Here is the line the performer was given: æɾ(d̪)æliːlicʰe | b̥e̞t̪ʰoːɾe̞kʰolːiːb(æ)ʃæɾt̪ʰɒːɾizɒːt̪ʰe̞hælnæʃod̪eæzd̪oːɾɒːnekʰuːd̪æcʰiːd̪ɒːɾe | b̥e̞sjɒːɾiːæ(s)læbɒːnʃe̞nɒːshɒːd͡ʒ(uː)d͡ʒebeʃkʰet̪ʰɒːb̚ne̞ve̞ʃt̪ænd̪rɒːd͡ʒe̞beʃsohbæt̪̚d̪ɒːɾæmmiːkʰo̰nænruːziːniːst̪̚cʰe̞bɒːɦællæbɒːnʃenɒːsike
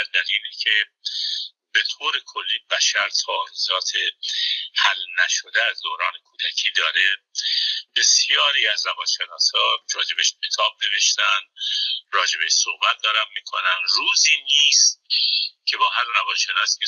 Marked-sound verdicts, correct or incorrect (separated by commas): correct, correct, incorrect, incorrect